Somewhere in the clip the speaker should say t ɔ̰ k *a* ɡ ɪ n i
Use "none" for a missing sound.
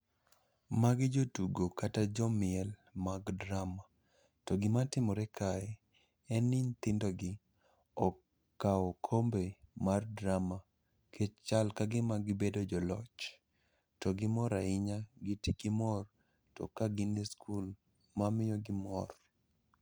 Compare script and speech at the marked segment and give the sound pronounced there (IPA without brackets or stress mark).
a